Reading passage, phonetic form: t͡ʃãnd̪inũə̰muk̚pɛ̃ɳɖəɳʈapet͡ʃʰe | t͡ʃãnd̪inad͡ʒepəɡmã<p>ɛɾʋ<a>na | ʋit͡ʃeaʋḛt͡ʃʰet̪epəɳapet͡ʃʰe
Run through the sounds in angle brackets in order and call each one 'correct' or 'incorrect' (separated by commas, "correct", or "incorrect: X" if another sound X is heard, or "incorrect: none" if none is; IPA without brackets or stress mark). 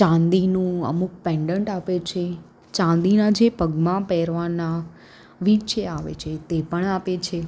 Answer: correct, correct